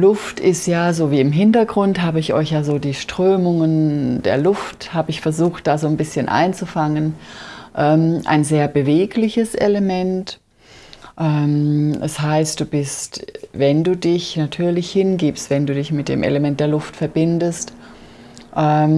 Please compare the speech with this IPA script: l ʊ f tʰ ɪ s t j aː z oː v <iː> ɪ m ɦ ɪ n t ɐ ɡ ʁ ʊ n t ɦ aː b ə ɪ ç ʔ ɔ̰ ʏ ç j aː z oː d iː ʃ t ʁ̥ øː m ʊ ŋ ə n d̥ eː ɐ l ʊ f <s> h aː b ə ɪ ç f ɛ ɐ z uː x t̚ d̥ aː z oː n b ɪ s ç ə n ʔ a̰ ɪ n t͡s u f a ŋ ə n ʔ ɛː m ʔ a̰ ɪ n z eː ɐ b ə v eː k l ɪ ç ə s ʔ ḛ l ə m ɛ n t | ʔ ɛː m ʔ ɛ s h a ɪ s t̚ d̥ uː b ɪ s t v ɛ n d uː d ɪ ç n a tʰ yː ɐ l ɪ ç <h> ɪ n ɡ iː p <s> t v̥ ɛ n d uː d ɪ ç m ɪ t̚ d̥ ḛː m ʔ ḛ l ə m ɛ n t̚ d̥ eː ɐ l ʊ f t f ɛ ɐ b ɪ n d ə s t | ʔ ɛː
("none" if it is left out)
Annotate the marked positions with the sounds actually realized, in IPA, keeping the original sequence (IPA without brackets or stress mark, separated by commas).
iː, t, h, s